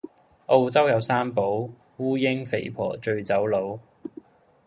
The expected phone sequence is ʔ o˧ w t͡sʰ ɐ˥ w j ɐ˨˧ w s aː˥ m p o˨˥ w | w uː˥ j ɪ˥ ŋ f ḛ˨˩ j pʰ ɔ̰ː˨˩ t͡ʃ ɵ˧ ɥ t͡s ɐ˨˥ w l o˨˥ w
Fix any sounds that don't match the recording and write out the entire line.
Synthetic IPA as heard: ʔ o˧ w t͡s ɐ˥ w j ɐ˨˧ w s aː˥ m p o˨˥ w | w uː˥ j ɪ˥ ŋ f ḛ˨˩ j pʰ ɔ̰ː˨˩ t͡ʃ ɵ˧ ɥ t͡s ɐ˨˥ w l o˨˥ w